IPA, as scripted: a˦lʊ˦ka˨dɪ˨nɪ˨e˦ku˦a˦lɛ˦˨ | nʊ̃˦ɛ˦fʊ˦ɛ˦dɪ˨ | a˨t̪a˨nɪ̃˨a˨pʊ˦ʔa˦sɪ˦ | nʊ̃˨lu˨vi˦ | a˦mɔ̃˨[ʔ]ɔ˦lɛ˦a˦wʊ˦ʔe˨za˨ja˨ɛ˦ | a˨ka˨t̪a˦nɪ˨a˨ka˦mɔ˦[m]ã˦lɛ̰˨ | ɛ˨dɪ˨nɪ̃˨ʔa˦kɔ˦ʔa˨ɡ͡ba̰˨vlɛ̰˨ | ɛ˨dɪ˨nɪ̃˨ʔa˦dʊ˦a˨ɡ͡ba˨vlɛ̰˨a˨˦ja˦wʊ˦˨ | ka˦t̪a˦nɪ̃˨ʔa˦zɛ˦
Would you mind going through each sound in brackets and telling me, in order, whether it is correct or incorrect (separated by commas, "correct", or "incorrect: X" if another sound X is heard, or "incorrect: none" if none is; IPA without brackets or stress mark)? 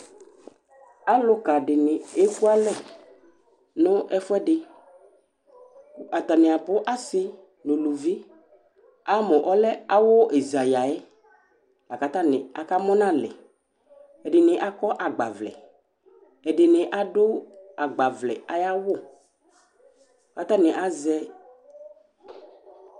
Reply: correct, incorrect: n